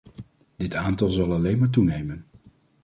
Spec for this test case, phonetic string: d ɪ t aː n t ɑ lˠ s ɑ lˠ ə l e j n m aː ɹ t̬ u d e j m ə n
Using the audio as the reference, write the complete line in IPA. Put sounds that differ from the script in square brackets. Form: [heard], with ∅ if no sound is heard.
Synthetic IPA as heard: d ɪ t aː n t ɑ lˠ [z] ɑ lˠ [ɑ] l e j n m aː ɹ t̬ u [n] e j m ə n